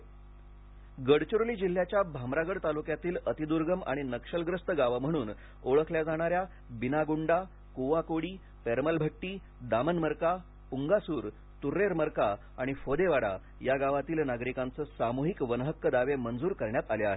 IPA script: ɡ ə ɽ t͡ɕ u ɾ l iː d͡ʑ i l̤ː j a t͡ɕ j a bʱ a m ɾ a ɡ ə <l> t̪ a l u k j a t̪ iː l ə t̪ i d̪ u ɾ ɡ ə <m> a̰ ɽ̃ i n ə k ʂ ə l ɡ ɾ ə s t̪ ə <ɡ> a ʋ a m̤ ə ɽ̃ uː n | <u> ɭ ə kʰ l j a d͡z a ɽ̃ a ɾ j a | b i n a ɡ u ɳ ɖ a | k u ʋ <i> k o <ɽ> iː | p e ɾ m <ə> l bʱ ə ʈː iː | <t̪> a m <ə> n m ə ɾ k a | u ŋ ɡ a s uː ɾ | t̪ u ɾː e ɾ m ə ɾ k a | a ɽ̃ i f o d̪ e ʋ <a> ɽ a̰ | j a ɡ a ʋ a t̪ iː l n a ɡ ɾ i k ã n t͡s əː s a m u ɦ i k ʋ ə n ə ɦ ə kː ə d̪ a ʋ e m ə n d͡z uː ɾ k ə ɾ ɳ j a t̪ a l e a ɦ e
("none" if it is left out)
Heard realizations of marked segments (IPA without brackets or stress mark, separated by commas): ɽ, m, ɡ, o, a, ɽ, ə, d̪, ə, a